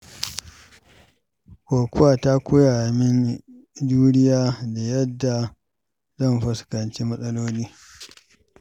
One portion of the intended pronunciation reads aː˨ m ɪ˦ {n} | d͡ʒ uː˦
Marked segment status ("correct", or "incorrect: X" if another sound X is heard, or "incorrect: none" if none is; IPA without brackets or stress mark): correct